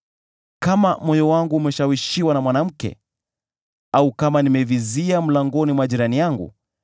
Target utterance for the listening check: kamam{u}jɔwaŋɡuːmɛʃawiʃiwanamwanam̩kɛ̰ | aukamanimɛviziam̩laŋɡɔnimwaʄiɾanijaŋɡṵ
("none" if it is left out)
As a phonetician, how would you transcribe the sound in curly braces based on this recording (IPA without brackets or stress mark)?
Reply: ɔ